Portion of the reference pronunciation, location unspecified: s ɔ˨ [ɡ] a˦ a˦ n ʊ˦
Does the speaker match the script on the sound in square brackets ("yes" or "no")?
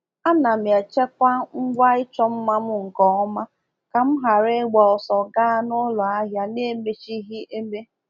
yes